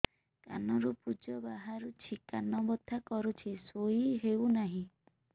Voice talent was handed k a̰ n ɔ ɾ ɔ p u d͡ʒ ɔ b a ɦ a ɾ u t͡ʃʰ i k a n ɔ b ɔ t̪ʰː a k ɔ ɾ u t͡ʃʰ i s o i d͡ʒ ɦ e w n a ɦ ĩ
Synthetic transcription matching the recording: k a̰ n ɔ ɾ u p u d͡ʒ ɔ b a ɦ a ɾ u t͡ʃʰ i k a n ɔ b ɔ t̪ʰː a k ɔ ɾ u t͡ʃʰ i s o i ɦ e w n a ɦ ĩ

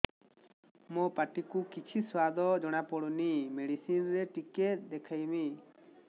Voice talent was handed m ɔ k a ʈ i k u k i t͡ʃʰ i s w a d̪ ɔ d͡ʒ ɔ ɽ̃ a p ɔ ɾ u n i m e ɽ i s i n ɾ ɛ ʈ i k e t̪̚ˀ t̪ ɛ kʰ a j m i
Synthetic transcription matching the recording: m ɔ p a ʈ i k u k i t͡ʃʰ i s w a d̪ ɔ d͡ʒ ɔ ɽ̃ a p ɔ ɽ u n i m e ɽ i s i n ɾ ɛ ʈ i k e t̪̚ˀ d̪ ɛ kʰ a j m i

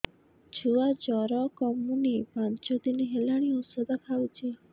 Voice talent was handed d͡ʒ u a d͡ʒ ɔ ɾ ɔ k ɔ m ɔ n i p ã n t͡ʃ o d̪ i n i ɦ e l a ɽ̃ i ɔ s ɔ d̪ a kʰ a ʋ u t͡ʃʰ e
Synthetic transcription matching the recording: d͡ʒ u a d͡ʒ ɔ ɾ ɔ k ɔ m u n i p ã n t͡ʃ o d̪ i n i ɦ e l a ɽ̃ i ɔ s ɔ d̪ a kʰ a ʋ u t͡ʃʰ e

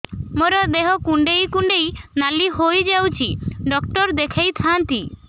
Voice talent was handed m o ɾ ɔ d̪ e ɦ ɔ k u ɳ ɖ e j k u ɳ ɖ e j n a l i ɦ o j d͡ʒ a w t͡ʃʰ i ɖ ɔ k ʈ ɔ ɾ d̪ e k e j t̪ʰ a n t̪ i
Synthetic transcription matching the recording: m o ɾ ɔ d̪ e ɦ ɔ k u ɳ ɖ e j k u ɳ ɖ e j n a l i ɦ o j d͡ʒ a w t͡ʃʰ i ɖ ɔ k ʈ ɔ ɾ d̪ e kʰ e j t̪ʰ a n t̪ i

